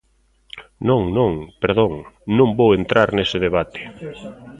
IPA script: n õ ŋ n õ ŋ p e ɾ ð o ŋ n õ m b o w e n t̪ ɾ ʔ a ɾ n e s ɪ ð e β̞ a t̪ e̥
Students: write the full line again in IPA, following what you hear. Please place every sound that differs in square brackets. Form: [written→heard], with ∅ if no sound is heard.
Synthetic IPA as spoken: n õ ŋ n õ ŋ p e ɾ ð o ŋ n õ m b o w e n t̪ ɾ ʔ a ɾ n e s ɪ ð e β̞ a t̪ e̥